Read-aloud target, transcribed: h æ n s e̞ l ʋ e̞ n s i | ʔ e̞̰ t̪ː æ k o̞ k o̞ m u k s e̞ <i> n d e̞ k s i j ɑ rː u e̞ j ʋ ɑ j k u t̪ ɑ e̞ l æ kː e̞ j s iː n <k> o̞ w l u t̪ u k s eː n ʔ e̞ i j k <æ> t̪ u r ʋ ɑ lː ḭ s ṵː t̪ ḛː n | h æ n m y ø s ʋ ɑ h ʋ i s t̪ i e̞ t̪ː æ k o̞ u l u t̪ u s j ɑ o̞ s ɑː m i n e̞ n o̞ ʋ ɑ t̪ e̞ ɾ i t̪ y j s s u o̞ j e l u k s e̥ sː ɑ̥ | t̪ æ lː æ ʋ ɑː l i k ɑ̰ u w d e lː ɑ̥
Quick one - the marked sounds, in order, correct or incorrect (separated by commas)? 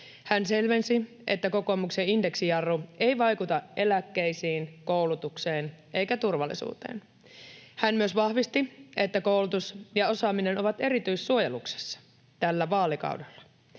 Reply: correct, correct, correct